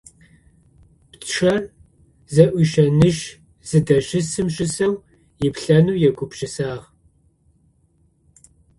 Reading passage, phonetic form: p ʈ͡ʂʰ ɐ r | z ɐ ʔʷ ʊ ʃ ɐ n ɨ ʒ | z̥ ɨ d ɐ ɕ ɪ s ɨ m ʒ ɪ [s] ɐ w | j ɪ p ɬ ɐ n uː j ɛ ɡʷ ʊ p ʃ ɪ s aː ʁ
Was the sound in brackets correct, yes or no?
yes